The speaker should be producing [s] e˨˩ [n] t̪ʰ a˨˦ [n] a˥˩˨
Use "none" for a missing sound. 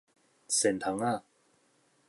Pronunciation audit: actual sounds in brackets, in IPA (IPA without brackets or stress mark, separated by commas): s, n, ŋ